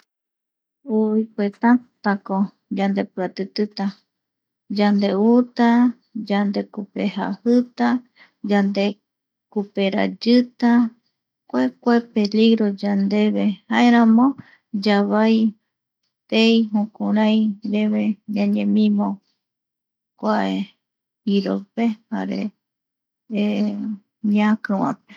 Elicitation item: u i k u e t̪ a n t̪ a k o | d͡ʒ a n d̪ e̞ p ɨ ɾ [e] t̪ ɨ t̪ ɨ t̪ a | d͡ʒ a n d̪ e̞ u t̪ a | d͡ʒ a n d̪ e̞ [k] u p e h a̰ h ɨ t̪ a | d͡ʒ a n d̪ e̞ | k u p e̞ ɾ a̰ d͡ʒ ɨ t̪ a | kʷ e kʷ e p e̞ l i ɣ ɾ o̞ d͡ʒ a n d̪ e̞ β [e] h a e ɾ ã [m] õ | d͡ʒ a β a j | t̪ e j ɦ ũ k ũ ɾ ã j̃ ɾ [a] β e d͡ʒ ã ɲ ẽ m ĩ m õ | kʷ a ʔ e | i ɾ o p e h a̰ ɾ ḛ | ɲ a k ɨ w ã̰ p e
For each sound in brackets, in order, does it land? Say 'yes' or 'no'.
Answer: no, yes, yes, yes, no

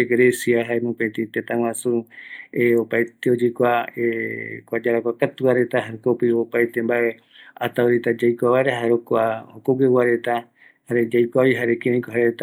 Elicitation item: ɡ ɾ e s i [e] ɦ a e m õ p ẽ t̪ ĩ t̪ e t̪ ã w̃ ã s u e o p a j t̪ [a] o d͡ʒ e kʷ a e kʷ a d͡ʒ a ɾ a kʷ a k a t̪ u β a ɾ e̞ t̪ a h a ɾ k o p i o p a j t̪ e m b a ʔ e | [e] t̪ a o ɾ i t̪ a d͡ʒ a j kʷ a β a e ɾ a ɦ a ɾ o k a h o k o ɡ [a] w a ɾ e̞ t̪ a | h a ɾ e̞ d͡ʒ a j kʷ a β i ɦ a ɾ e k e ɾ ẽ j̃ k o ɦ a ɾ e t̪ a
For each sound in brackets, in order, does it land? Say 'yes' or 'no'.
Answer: no, no, no, no

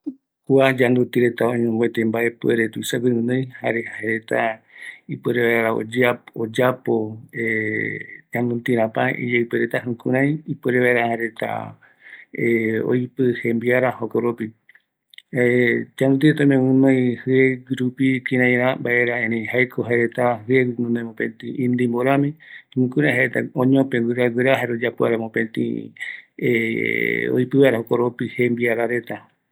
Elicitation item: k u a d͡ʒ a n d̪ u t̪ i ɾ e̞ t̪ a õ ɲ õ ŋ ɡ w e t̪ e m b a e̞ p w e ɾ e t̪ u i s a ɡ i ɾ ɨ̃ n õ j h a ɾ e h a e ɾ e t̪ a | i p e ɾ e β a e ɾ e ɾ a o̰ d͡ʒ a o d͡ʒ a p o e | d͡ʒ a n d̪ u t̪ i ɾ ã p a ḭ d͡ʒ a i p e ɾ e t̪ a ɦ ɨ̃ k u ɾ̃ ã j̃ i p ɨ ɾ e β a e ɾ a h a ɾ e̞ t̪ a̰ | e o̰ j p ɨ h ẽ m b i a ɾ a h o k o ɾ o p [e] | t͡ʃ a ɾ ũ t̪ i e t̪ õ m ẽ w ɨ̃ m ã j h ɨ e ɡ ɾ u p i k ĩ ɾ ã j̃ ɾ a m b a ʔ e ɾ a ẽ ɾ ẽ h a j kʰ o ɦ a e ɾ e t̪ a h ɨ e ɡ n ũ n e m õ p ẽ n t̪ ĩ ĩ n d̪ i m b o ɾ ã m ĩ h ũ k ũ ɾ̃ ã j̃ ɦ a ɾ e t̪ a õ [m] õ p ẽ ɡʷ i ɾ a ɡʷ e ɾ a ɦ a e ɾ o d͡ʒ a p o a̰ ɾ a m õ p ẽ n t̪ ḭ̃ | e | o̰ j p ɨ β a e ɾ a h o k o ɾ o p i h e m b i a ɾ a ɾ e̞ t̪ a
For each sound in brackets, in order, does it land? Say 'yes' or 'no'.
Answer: no, no

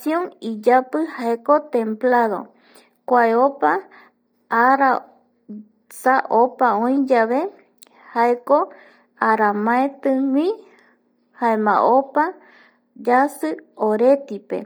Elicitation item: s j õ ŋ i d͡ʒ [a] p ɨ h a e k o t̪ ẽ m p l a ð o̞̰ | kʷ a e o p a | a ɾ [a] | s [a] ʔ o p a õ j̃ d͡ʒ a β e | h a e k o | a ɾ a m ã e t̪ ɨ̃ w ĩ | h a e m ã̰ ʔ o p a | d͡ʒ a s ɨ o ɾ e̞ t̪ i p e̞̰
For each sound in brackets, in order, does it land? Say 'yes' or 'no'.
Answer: yes, yes, yes

